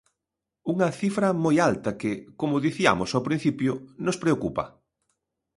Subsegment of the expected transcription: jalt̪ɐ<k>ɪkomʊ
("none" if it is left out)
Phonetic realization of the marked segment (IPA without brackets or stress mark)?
k